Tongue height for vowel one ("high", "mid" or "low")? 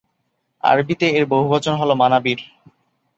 low